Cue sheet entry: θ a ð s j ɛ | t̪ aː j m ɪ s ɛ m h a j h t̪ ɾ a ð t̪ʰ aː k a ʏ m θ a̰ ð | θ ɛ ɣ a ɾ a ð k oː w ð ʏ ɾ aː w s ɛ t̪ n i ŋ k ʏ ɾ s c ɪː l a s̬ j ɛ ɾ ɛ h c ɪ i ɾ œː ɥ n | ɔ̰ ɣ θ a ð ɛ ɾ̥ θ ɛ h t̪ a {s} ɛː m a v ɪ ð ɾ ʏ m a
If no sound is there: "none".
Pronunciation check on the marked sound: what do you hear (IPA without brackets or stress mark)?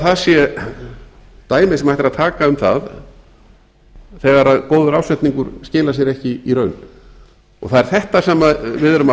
s